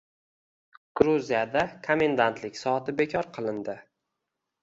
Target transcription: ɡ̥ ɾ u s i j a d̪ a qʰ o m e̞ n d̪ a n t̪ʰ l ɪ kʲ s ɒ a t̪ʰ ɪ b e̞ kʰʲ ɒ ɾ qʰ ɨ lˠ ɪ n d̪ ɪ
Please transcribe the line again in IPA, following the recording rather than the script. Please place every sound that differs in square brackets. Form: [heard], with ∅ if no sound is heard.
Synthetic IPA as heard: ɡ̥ ɾ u [z] i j a d̪ a [kʰ] o m e̞ n d̪ a n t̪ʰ l ɪ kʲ s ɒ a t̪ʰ ɪ b e̞ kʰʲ ɒ ɾ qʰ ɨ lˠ ɪ n d̪ ɪ